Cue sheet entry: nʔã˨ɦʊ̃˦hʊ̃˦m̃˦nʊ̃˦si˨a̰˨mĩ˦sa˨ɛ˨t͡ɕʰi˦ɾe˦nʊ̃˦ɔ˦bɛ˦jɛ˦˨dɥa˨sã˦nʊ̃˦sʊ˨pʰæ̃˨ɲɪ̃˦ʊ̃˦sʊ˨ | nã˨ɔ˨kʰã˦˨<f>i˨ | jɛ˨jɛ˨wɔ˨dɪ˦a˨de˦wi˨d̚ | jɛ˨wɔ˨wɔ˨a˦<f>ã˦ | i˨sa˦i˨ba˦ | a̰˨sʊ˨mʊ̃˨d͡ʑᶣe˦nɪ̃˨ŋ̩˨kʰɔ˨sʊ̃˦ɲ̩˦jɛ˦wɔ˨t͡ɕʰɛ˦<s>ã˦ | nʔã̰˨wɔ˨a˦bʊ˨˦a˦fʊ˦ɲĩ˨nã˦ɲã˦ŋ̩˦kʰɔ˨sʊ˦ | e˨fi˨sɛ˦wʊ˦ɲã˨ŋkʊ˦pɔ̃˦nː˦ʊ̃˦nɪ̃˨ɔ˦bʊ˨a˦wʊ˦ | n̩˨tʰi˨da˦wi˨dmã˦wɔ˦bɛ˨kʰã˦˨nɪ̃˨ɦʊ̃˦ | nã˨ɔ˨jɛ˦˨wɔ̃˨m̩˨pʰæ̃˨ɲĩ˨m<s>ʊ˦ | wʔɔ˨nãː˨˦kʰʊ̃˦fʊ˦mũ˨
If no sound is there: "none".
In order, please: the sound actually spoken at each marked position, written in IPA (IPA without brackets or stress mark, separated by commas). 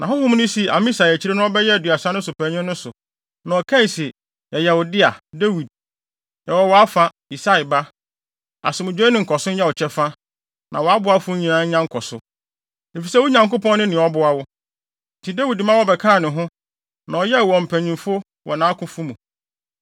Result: s, f, f, f